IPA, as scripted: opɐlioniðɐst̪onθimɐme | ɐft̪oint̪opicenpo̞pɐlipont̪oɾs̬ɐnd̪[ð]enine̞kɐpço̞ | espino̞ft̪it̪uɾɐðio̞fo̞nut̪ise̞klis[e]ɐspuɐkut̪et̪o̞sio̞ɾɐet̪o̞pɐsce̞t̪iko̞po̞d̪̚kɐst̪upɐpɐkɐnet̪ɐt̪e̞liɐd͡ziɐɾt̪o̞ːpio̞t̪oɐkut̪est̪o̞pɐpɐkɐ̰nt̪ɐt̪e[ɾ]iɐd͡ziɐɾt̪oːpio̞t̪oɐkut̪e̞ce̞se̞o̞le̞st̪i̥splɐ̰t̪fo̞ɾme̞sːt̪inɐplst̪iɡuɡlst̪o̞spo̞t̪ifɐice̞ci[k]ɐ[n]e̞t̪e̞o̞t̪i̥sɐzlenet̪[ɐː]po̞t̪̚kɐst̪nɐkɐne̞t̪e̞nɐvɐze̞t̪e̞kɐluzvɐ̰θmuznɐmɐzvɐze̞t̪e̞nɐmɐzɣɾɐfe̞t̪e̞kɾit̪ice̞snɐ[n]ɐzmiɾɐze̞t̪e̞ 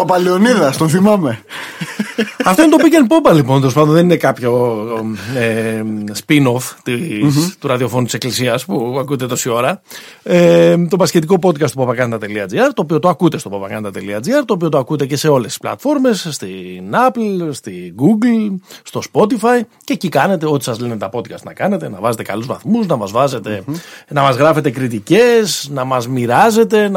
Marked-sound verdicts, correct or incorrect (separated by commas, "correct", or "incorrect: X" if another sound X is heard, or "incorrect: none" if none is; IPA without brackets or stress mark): correct, incorrect: i, incorrect: l, correct, correct, incorrect: ɐ, incorrect: m